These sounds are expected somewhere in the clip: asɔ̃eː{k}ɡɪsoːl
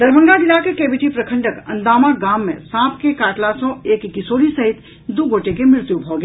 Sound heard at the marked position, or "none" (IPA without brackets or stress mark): k